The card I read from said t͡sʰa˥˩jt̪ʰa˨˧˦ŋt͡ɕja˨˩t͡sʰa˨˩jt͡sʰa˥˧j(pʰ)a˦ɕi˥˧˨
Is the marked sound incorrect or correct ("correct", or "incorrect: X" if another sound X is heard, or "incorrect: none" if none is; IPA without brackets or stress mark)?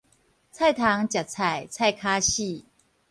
incorrect: kʰ